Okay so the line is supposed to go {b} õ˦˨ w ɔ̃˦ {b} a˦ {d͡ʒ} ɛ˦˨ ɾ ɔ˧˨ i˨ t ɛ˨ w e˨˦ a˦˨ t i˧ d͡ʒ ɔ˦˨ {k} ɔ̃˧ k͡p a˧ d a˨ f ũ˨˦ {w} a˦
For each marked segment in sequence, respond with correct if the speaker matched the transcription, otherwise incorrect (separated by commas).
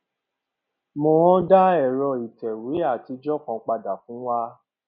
incorrect, incorrect, incorrect, correct, correct